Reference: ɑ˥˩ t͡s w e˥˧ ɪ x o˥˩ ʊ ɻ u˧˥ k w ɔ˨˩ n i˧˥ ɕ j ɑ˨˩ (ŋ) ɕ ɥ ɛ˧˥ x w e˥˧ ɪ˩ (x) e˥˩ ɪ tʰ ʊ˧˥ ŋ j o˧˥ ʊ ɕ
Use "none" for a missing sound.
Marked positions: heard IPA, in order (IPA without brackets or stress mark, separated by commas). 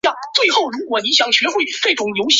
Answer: ŋ, f